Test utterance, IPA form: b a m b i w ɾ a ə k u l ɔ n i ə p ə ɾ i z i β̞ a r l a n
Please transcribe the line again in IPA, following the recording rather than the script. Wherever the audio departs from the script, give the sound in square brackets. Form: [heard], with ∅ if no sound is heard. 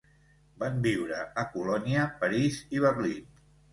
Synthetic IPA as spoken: b a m b i w ɾ [ə] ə k u l ɔ n i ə p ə ɾ i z i β̞ [ə] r l [i] n